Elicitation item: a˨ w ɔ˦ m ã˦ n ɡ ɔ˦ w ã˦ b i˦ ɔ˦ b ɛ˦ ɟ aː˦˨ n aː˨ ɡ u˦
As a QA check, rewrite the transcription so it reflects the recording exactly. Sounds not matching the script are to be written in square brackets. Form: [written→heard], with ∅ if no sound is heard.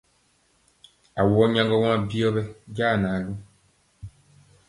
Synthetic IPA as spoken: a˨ w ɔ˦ [m→ɲ] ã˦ [n→ŋ] ɡ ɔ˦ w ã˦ b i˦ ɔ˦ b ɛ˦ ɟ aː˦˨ n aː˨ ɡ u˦